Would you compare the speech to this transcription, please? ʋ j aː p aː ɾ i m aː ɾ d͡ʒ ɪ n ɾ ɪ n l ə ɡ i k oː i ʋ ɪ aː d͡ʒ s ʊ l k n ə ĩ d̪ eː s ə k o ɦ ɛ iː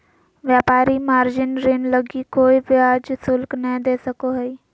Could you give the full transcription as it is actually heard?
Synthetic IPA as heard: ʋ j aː p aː ɾ i m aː ɾ d͡ʒ ɪ n ɾ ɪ n l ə ɡ i k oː i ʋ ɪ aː d͡ʒ s ʊ l k n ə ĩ d̪ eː s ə k o ɦ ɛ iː